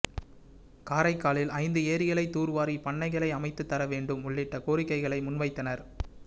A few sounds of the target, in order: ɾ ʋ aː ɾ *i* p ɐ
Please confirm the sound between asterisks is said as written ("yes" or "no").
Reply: yes